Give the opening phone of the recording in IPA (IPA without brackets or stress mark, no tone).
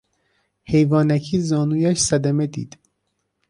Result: h